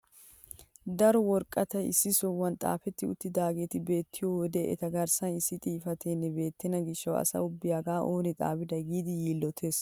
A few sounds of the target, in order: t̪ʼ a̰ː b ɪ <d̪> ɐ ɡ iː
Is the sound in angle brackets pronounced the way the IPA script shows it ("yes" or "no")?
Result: yes